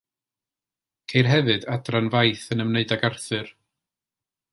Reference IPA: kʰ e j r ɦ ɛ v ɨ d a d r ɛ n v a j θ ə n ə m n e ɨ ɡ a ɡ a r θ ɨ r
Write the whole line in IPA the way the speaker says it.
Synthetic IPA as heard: kʰ e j r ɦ ɛ v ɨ d a d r a n v a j θ ə n ə m n e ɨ d a ɡ a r θ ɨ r